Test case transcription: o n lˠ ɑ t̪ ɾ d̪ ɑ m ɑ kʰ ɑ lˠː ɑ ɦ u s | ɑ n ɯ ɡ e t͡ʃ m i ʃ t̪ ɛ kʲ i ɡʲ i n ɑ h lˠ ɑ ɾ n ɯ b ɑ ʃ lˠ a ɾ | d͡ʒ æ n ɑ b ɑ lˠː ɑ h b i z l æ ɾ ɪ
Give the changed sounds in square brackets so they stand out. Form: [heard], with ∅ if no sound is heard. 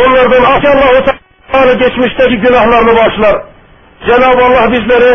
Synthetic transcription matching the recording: o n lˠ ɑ [∅] ɾ d̪ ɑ [n] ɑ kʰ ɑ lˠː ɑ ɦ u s | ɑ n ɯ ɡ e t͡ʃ m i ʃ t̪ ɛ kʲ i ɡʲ [y] n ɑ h lˠ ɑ ɾ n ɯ b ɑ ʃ lˠ [ɑ] ɾ | d͡ʒ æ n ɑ b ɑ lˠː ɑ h b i z l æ ɾ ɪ